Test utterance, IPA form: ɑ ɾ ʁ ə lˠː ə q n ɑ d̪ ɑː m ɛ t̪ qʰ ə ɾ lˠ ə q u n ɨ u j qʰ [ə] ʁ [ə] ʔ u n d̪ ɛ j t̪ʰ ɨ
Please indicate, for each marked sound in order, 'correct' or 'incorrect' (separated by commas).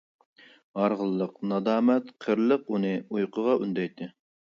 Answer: correct, incorrect